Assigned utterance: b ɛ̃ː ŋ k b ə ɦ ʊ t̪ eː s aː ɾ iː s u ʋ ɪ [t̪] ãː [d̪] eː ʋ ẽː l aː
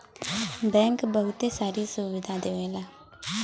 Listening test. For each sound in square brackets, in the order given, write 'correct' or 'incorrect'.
incorrect: d̪, correct

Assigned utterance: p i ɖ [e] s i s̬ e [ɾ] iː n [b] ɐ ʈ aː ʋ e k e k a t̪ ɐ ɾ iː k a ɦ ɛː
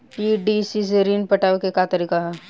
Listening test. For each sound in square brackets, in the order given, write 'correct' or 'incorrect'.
incorrect: i, correct, incorrect: p

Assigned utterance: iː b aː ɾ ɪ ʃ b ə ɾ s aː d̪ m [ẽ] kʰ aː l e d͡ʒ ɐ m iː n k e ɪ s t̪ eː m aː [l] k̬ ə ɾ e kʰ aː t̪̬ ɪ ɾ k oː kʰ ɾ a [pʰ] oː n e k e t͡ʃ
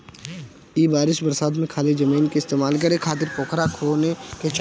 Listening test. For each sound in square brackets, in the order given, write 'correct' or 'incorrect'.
correct, correct, incorrect: kʰ

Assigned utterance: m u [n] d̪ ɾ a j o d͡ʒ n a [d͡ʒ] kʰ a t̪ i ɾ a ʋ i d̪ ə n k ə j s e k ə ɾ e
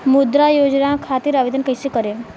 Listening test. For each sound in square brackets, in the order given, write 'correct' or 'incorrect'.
incorrect: none, incorrect: none

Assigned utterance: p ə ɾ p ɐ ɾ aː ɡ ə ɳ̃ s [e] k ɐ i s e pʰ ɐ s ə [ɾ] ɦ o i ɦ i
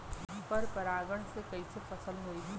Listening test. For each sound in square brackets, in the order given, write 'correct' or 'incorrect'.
correct, incorrect: l

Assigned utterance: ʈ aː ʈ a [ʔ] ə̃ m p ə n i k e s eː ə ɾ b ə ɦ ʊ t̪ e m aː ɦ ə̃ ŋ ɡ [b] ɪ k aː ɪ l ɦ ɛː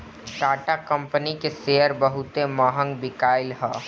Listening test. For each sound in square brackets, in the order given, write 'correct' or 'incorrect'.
incorrect: k, correct

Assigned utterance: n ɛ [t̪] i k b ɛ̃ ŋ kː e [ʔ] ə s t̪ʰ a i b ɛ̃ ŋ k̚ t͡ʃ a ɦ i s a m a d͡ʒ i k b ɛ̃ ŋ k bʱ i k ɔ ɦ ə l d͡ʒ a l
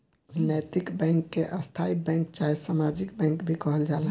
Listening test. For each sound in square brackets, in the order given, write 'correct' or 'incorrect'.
correct, correct

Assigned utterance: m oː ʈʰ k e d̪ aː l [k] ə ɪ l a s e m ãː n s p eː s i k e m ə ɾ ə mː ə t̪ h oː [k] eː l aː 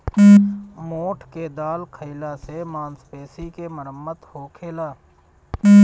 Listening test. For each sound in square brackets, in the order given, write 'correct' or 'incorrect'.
incorrect: kʰ, incorrect: kʰ

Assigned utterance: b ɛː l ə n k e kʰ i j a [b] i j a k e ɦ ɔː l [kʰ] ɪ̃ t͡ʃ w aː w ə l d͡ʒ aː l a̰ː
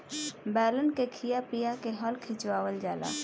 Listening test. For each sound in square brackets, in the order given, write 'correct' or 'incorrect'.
incorrect: p, correct

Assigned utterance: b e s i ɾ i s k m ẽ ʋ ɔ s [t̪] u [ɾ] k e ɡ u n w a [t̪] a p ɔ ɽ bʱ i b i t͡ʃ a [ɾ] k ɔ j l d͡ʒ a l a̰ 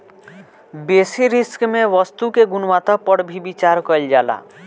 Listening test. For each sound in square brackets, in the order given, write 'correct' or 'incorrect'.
correct, incorrect: none, correct, correct

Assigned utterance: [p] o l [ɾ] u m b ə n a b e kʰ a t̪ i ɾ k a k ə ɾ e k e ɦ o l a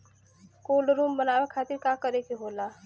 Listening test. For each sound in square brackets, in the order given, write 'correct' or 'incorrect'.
incorrect: k, correct

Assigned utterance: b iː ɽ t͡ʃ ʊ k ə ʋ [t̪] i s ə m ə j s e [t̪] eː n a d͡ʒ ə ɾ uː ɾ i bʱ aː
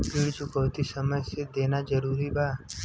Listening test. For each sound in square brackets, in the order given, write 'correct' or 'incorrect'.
correct, incorrect: d̪

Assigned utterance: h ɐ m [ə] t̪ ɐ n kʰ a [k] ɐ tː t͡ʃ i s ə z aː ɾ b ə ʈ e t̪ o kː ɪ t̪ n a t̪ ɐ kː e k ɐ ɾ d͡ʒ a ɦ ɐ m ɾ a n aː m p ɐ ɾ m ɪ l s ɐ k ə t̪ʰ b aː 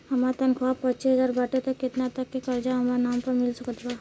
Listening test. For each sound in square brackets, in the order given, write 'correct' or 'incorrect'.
incorrect: a, incorrect: p

